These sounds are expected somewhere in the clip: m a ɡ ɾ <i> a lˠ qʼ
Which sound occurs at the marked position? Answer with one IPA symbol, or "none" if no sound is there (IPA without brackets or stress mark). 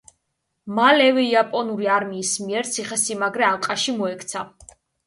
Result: ɛ